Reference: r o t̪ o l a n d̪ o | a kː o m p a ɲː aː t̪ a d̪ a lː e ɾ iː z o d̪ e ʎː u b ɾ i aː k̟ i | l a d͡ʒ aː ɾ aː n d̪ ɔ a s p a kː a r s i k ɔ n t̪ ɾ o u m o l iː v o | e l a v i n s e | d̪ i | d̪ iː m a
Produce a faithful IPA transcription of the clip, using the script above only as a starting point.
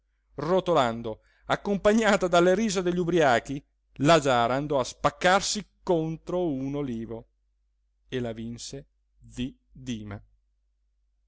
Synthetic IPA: r o t̪ o l a n d̪ o | a kː o m p a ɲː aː t̪ a d̪ a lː e ɾ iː z o d̪ e ʎː u b ɾ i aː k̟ i | l a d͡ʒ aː ɾ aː n d̪ ɔ a s p a kː a r s i k o n t̪ ɾ o u n o l iː v o | e l a v i n s e | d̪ i | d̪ iː m a